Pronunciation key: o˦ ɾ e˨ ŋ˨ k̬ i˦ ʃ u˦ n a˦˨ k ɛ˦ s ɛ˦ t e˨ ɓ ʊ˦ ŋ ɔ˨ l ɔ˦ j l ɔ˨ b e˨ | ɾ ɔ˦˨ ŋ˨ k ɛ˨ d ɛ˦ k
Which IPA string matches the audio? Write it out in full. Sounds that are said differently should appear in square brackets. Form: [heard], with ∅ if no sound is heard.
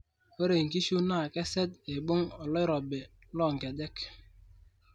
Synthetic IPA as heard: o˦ ɾ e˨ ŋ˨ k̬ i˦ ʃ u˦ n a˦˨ k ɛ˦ s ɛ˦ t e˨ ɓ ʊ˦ ŋ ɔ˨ l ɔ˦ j [ɾ] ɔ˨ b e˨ | [l] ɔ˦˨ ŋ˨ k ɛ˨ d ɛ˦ k